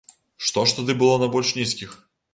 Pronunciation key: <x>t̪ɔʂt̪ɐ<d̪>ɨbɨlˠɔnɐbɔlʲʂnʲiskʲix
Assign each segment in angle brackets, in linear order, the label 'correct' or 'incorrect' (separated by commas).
incorrect, correct